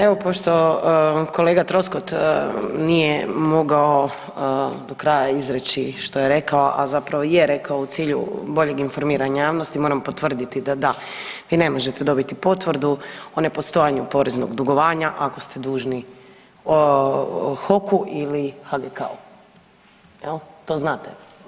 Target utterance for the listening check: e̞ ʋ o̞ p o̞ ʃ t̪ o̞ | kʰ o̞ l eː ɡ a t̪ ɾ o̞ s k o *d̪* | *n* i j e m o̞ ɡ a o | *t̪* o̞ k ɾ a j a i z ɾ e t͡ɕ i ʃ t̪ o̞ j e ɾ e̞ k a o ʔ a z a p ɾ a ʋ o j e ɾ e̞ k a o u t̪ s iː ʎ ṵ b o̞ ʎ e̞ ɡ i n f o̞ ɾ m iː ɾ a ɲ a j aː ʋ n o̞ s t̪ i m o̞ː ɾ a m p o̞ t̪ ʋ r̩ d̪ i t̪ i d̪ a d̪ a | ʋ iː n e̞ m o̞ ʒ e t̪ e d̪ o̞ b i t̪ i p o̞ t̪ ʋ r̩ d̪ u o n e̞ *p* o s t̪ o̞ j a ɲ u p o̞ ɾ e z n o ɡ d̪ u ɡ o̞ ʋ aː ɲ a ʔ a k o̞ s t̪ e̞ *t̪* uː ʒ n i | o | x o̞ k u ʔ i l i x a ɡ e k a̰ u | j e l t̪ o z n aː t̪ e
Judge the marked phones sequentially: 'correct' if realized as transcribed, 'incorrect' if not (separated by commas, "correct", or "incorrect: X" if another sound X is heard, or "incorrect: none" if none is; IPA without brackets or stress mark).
incorrect: t̪, correct, incorrect: d̪, correct, incorrect: d̪